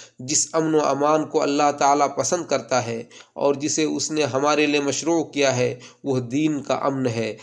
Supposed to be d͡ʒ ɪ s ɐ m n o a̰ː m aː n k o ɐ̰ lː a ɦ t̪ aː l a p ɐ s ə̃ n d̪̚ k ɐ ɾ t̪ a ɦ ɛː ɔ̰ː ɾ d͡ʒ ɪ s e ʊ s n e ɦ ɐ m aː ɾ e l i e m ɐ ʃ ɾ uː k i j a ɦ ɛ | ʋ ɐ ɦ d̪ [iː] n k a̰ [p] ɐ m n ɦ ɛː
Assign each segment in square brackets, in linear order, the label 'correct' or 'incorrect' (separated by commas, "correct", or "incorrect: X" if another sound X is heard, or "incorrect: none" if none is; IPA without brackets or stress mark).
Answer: correct, incorrect: ʔ